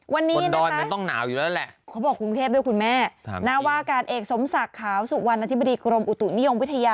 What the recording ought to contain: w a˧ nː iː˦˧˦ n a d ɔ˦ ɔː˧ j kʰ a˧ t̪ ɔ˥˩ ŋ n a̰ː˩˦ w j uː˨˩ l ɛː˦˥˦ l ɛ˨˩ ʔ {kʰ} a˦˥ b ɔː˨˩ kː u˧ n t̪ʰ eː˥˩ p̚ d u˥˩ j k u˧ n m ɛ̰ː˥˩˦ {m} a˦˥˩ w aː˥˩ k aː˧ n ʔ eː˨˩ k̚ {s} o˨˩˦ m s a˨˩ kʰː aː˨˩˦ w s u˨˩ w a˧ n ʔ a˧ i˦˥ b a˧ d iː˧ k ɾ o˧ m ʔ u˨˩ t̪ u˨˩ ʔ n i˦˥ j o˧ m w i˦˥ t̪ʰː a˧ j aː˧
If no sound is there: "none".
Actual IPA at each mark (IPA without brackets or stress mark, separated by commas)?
kʰ, n, s